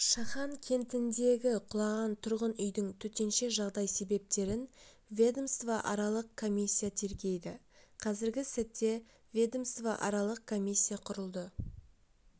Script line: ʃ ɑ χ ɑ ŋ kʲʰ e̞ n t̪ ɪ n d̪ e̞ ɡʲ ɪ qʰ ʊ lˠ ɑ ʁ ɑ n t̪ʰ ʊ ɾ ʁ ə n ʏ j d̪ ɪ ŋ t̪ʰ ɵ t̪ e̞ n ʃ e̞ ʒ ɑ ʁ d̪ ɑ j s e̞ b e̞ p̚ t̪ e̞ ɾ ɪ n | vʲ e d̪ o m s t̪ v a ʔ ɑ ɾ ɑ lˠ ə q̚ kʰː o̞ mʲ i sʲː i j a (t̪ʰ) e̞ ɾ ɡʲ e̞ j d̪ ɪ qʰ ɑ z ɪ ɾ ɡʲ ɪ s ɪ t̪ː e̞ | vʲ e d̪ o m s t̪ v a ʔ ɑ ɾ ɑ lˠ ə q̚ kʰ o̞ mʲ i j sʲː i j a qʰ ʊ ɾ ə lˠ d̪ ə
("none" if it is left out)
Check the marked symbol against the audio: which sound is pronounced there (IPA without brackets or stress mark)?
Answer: t̪ʰ